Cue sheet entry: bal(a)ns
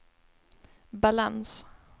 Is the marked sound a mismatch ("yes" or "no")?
no